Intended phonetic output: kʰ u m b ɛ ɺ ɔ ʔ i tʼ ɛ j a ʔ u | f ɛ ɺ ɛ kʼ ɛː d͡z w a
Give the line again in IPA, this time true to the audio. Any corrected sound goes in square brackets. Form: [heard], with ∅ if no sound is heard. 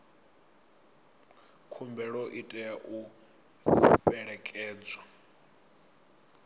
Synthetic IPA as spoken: kʰ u m b ɛ ɺ ɔ ʔ i tʼ ɛ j a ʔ u | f ɛ ɺ ɛ kʼ ɛː d͡z w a

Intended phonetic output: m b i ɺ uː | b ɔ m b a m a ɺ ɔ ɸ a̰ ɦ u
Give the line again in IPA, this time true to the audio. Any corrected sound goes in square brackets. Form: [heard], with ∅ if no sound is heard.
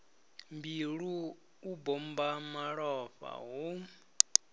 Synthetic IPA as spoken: m b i ɺ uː | b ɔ m b a m a ɺ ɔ ɸ a̰ ɦ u

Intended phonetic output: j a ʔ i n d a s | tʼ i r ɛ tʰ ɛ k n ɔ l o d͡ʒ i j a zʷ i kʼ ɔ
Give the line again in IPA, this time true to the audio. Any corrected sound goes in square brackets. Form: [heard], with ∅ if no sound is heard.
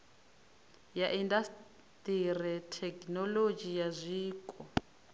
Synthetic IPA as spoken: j a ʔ i n d a s | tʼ i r ɛ tʰ ɛ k n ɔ l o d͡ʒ i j a zʷ [iː] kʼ ɔ

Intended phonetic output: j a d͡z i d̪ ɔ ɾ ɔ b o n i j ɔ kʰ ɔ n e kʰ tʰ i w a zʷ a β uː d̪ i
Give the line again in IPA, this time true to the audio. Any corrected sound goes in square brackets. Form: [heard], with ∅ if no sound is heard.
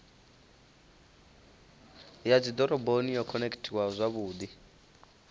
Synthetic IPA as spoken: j a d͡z i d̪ ɔ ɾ ɔ b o n i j ɔ kʰ ɔ n e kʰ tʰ i w a zʷ a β uː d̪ i

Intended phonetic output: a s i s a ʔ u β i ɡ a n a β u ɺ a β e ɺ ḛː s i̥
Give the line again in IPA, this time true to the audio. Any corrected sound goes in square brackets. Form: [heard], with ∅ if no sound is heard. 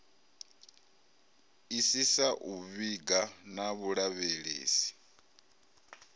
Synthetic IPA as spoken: [i] s i s a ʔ u β i ɡ a n a β u ɺ a β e ɺ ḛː s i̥

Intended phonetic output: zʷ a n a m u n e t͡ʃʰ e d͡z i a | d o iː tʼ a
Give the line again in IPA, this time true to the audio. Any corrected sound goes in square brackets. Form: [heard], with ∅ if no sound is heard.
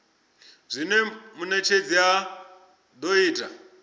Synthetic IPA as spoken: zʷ [i] n [e] m u n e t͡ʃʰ e d͡z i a | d o iː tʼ a

